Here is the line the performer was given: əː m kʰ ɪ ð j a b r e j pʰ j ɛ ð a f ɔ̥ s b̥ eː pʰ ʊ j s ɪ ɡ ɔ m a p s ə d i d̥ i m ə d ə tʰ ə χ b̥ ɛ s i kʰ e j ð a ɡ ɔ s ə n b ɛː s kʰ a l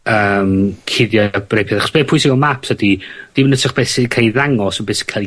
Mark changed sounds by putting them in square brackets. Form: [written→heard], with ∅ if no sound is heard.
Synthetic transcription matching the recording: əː m kʰ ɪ ð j a b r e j pʰ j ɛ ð a [f→χ] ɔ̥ s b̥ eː pʰ ʊ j s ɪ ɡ ɔ m a p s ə d i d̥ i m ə [d→n] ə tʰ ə χ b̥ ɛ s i kʰ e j ð a [ɡ→ŋ] ɔ s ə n b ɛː s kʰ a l